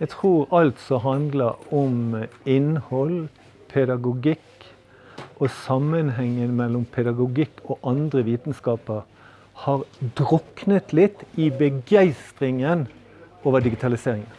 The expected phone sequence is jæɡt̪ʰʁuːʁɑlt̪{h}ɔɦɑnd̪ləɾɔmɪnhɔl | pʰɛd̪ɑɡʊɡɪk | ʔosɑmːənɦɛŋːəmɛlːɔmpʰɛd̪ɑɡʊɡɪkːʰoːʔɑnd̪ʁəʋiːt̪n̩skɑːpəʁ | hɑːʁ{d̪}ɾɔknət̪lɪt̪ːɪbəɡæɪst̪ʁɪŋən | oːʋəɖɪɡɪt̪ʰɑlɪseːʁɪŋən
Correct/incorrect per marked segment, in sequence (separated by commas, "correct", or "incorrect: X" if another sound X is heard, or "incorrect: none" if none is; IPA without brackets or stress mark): incorrect: s, correct